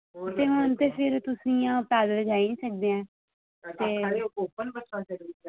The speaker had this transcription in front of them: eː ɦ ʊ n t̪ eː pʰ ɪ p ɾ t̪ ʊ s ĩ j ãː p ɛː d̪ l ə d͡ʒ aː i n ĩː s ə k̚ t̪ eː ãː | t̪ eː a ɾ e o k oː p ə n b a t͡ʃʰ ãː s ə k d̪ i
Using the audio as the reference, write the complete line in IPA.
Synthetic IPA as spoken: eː ɦ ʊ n t̪ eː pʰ ɪ ɾ t̪ ʊ s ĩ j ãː p ɛː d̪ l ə d͡ʒ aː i n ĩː s ə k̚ d̪ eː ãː | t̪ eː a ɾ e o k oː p ə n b ə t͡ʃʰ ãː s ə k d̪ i